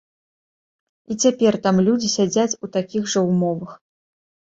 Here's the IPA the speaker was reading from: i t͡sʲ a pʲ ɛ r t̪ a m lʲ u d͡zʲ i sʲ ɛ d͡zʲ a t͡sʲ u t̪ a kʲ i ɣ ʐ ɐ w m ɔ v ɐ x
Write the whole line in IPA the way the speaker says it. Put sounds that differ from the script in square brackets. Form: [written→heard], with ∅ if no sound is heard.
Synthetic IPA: i t͡sʲ a pʲ ɛ r t̪ a m lʲ u d͡zʲ i sʲ [ɛ→a] d͡zʲ a t͡sʲ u t̪ a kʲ i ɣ ʐ ɐ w m ɔ v ɐ x

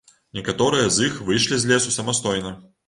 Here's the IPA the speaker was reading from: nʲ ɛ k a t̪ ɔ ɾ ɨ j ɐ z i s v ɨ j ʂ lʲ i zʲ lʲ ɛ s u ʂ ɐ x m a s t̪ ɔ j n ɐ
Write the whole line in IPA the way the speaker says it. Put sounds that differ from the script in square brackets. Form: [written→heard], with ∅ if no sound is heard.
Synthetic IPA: nʲ ɛ k a t̪ ɔ ɾ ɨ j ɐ z i [s→x] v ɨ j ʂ lʲ i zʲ lʲ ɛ s u [ʂ→s] ɐ [x→∅] m a s t̪ ɔ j n ɐ

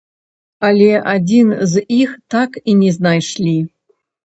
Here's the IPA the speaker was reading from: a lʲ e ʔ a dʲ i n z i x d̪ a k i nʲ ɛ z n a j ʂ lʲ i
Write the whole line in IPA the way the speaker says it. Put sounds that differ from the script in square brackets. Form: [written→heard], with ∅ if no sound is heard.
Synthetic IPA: a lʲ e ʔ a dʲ i n z i x [d̪→t̪] a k i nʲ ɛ z n a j ʂ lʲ i

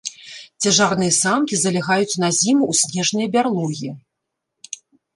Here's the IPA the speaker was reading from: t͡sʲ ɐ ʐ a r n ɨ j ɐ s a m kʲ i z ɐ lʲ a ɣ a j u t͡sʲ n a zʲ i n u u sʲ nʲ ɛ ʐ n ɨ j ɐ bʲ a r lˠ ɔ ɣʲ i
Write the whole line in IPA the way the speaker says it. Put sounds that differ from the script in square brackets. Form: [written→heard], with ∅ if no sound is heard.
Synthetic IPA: t͡sʲ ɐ ʐ a r n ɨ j ɐ s a m kʲ i z ɐ lʲ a ɣ a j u t͡sʲ n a zʲ i [n→m] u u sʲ nʲ ɛ ʐ n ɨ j ɐ bʲ a r lˠ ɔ ɣʲ i

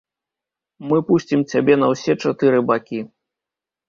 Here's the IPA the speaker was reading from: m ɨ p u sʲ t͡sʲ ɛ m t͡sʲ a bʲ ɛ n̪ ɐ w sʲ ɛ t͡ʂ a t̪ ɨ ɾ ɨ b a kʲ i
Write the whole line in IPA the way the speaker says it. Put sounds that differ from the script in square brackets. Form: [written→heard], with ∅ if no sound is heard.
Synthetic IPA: m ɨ p u sʲ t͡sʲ [ɛ→i] m t͡sʲ a bʲ ɛ n̪ ɐ w sʲ ɛ t͡ʂ a t̪ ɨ ɾ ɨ b a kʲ i

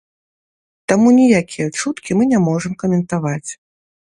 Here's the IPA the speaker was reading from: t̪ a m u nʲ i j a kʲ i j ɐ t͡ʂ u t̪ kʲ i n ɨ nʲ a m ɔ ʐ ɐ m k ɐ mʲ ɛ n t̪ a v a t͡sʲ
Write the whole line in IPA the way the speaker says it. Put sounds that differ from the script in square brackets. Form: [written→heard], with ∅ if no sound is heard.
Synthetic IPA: t̪ a m u nʲ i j a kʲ i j ɐ t͡ʂ u t̪ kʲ i [n→m] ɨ nʲ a m ɔ ʐ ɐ m k ɐ mʲ ɛ n t̪ a v a t͡sʲ

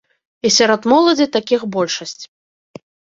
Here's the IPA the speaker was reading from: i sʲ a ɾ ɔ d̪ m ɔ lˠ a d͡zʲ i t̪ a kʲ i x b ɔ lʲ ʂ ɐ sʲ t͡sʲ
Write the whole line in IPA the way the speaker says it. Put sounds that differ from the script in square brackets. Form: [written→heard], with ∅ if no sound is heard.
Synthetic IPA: i sʲ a ɾ ɔ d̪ m ɔ lˠ [a→ɐ] d͡zʲ i t̪ a kʲ i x b ɔ lʲ ʂ ɐ sʲ t͡sʲ

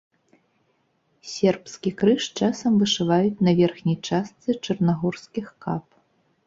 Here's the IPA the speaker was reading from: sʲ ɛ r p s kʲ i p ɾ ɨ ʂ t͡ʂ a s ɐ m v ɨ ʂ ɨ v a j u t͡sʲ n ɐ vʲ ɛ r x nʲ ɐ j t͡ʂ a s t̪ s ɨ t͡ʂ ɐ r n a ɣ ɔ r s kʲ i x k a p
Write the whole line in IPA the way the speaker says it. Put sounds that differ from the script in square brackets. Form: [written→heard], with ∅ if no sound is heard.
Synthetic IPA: sʲ ɛ r p s kʲ i [p→k] ɾ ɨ ʂ t͡ʂ a s ɐ m v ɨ ʂ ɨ v a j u t͡sʲ n ɐ vʲ ɛ r x nʲ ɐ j t͡ʂ a s t̪ s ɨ t͡ʂ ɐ r n a ɣ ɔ r s kʲ i x k a p

